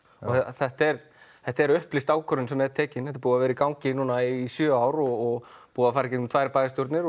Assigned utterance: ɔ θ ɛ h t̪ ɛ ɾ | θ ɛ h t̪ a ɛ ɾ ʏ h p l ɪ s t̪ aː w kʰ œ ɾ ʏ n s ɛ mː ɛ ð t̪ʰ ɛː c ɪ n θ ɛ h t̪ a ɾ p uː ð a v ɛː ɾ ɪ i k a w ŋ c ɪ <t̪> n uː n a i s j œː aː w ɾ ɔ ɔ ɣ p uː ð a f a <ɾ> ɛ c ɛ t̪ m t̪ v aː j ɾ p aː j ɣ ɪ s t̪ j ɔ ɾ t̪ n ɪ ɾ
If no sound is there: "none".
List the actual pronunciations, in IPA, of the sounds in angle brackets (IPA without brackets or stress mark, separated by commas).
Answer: none, ɾ